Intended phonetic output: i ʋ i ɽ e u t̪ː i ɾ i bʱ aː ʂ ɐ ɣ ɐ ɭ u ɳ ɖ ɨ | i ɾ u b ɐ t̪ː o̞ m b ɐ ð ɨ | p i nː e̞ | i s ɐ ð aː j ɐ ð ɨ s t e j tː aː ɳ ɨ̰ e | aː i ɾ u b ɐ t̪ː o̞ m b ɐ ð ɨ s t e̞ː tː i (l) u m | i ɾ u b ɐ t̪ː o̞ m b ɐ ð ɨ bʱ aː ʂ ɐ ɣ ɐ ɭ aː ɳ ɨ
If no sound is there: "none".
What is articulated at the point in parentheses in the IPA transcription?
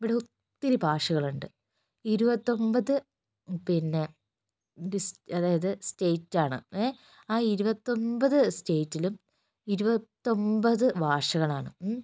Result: l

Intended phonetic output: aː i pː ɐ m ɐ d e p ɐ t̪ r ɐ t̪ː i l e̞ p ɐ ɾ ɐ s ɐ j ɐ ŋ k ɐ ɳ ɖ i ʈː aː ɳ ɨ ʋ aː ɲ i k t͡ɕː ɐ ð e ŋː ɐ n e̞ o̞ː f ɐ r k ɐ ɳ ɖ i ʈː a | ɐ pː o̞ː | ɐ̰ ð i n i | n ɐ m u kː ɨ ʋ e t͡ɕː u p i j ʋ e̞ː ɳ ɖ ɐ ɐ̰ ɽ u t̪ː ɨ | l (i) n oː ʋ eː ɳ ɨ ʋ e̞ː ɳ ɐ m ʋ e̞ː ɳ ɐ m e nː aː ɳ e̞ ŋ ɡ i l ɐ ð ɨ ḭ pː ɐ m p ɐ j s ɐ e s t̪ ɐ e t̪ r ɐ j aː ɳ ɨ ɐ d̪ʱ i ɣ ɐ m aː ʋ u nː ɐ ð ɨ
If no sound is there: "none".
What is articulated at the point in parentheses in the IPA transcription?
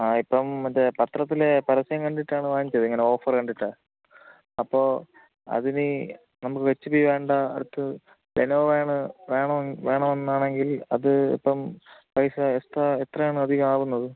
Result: e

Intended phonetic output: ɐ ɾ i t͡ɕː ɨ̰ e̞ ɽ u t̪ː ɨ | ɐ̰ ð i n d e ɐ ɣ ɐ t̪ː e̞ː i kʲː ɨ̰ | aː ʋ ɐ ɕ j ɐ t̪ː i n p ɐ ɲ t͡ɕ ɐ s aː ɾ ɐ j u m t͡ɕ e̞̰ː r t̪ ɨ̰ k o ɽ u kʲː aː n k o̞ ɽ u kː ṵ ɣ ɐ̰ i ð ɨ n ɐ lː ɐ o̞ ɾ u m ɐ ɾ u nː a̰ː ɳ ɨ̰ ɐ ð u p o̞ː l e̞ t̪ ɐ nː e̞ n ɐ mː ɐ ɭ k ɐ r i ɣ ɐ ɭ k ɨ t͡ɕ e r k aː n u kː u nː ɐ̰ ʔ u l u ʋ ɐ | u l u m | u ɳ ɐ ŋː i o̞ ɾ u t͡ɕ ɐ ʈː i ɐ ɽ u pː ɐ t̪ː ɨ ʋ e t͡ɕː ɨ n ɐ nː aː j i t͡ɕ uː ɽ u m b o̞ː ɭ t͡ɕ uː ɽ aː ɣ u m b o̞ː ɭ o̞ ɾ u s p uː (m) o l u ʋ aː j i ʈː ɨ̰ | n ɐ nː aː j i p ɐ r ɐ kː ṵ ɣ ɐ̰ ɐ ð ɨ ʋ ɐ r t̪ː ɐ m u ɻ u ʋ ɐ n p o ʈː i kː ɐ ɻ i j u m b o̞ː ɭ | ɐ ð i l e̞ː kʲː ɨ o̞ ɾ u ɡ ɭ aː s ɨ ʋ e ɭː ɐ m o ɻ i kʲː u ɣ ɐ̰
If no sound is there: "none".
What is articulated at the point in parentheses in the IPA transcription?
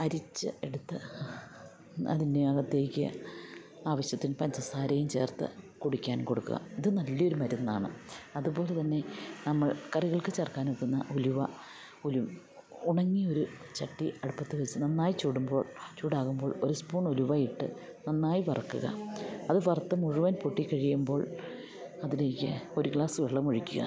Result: ɳ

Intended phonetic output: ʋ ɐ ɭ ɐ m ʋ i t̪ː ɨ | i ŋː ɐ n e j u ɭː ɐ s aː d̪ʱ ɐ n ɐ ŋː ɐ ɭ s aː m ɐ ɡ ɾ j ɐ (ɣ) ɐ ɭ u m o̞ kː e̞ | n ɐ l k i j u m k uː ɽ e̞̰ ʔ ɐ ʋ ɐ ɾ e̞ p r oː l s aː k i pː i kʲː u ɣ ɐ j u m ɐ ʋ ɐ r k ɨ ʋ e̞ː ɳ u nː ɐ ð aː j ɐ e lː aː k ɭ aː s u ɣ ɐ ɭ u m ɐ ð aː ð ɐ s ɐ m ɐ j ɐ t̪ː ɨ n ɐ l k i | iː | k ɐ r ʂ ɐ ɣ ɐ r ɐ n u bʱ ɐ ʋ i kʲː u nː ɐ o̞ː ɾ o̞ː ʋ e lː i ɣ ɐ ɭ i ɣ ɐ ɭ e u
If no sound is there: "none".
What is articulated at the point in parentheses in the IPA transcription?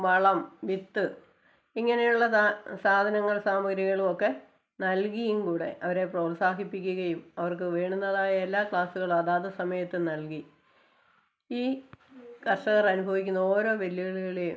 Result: ɣ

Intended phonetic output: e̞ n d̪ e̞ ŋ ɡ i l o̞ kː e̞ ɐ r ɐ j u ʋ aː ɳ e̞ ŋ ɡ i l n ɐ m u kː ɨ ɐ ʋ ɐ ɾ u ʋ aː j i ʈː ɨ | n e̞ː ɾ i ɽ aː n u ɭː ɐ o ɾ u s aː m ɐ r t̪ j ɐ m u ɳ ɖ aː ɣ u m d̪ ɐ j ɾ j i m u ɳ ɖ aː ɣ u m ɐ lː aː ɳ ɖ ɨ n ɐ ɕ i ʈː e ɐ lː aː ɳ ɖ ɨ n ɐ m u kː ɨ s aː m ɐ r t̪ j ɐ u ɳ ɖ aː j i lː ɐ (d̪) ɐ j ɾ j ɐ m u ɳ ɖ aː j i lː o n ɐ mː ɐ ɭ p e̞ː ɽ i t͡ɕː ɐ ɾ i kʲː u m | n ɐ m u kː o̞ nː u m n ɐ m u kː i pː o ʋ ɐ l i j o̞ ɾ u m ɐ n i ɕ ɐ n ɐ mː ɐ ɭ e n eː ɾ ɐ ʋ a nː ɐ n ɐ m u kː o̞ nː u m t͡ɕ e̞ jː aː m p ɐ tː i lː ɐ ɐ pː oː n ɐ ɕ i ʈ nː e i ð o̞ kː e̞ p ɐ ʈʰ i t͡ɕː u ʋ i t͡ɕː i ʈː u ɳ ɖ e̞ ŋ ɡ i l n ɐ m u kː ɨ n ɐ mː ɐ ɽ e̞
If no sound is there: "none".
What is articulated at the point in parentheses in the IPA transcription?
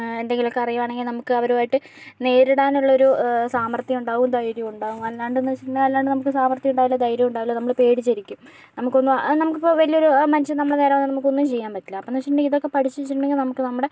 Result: d̪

